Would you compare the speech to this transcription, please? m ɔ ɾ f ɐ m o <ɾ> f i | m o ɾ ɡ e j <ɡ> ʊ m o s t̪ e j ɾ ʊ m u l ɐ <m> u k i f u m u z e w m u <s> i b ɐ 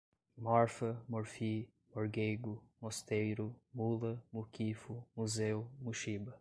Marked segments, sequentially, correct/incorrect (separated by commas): correct, correct, correct, incorrect